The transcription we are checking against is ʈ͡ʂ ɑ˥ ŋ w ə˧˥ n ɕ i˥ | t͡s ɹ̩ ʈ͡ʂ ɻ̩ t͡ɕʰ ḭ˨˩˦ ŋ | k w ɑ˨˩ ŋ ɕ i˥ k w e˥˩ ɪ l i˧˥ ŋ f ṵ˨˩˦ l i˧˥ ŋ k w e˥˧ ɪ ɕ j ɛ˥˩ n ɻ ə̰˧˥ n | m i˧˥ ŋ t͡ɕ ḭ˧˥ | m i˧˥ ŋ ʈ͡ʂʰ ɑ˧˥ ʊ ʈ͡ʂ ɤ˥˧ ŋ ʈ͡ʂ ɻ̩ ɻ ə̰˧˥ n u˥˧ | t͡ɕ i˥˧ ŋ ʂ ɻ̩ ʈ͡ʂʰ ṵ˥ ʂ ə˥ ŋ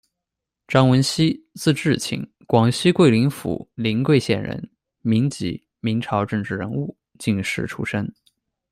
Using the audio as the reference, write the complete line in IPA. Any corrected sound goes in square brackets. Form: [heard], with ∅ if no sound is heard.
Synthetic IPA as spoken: ʈ͡ʂ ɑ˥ ŋ w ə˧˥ n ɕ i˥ | t͡s ɹ̩ ʈ͡ʂ ɻ̩ t͡ɕʰ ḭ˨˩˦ ŋ | k w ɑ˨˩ ŋ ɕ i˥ k w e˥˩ ɪ l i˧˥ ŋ f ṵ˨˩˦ l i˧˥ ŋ k w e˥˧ ɪ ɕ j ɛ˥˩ n ɻ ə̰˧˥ n | m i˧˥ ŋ t͡ɕ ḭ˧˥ | m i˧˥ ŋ ʈ͡ʂʰ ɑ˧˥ ʊ ʈ͡ʂ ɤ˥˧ ŋ ʈ͡ʂ ɻ̩ ɻ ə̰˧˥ n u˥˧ | t͡ɕ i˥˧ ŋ ʂ ɻ̩ ʈ͡ʂʰ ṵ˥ ʂ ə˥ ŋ